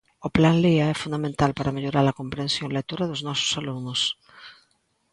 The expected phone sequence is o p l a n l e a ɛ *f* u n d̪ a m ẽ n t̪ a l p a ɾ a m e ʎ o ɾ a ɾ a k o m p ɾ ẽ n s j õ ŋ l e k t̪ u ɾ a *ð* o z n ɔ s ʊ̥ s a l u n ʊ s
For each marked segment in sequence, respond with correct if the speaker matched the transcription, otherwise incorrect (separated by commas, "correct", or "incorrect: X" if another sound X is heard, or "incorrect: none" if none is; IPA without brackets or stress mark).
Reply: correct, correct